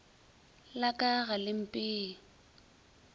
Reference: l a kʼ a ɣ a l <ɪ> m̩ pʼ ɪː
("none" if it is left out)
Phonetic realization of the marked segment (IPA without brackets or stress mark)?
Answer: ɪ